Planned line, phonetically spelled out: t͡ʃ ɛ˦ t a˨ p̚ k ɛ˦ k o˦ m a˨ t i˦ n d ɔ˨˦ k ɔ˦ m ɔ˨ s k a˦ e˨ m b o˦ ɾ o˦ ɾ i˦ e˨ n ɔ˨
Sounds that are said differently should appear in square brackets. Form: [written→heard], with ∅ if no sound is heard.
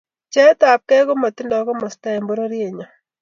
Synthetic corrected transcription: t͡ʃ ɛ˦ t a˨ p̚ k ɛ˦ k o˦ m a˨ t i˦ n d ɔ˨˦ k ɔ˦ m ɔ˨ s [k→t] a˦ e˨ m b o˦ ɾ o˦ ɾ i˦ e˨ [n→ɲ] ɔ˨